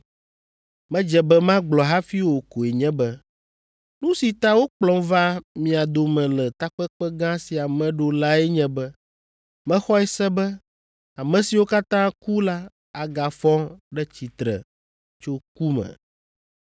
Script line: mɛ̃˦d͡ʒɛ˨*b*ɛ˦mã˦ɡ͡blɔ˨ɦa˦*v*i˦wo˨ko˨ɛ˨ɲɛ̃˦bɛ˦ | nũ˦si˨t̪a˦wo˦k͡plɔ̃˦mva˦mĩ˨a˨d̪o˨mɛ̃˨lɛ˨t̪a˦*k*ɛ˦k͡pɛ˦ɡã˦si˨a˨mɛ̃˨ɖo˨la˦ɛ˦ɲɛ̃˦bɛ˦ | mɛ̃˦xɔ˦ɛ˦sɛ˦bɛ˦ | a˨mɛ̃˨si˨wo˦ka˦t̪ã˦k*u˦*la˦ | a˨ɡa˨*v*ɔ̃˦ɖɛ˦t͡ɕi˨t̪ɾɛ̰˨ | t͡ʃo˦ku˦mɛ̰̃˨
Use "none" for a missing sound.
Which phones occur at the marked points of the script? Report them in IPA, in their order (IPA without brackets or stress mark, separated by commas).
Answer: b, f, k͡p, u˦, f